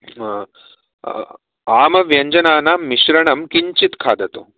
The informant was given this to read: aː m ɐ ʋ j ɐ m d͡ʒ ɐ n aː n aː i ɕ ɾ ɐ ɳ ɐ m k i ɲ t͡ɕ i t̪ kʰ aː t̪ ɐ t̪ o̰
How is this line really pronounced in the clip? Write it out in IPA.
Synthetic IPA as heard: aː m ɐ ʋ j ɐ ɲ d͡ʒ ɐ n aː n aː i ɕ ɾ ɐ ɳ ɐ m k i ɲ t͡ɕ i t̪ kʰ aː d̪ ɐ t̪ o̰